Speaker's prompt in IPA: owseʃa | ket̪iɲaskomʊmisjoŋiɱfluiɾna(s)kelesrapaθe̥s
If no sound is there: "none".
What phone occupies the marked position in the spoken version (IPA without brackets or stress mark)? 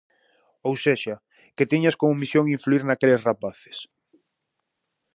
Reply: none